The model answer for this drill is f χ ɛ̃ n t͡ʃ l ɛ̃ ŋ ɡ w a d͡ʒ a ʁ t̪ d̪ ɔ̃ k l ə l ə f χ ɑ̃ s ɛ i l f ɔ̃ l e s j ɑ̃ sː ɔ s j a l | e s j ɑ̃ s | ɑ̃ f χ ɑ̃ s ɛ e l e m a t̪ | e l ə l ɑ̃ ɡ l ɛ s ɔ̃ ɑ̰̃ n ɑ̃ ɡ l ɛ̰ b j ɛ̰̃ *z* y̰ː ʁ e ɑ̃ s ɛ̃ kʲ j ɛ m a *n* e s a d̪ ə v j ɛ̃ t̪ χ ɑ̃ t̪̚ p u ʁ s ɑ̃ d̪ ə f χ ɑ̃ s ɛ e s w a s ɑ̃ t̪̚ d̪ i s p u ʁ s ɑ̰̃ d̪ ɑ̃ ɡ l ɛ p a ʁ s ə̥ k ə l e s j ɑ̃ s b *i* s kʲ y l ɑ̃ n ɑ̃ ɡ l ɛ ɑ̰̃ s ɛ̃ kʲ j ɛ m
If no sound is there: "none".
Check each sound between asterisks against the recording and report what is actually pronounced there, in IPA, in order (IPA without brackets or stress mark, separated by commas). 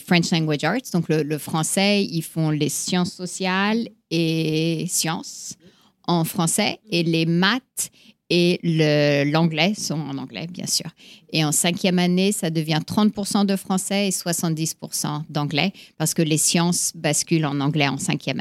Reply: s, n, a